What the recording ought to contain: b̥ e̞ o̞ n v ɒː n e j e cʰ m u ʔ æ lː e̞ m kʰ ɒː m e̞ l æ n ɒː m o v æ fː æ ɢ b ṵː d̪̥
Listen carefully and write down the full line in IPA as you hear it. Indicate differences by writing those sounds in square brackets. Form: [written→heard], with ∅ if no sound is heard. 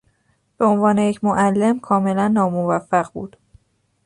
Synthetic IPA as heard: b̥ e̞ o̞ n v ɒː n e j e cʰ m [u→o] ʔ æ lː e̞ m kʰ ɒː m e̞ l æ [n→nː] ɒː m o v æ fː æ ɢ b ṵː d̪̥